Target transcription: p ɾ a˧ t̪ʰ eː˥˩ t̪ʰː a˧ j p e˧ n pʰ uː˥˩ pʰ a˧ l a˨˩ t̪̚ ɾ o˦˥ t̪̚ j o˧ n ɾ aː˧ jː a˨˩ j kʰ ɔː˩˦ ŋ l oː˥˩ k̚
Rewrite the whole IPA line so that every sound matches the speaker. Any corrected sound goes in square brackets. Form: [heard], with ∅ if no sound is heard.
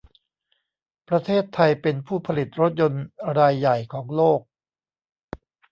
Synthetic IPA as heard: p ɾ a˧ t̪ʰ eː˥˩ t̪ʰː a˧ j p e˧ n pʰ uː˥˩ pʰ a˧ l [i˨˩] t̪̚ ɾ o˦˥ t̪̚ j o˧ n ɾ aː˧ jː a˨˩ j kʰ ɔː˩˦ ŋ l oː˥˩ k̚